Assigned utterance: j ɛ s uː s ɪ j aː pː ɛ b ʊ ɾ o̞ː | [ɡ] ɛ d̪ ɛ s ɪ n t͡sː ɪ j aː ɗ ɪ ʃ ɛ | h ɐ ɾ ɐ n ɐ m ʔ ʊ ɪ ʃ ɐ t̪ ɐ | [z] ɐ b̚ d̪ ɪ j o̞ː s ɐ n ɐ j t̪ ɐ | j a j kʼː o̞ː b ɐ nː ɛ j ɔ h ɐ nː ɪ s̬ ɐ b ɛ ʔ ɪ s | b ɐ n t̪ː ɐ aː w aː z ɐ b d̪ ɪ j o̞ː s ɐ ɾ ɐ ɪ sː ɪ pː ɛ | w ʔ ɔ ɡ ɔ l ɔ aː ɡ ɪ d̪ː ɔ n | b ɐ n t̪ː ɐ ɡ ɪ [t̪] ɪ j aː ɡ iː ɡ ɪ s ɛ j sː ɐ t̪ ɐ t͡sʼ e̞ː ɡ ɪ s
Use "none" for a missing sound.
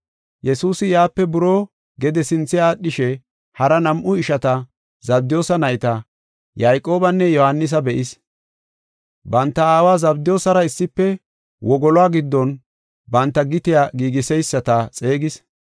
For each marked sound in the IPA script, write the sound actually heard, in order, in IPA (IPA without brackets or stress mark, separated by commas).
ɡ, z, t̪